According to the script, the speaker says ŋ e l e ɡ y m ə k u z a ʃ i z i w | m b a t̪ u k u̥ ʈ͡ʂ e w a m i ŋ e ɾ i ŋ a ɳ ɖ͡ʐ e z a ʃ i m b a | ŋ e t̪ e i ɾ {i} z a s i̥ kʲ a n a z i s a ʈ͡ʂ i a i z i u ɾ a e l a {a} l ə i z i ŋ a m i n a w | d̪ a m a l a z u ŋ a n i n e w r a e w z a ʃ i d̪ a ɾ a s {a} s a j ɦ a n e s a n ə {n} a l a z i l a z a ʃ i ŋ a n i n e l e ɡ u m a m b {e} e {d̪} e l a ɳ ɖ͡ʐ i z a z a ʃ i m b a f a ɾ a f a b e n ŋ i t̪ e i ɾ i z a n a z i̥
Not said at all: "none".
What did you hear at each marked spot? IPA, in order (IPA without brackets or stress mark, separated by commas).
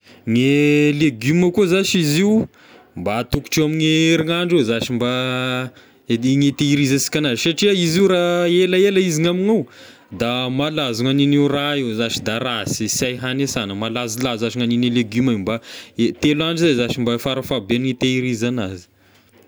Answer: i, e, i, m, a, t̪